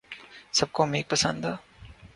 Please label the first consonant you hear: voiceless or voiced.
voiceless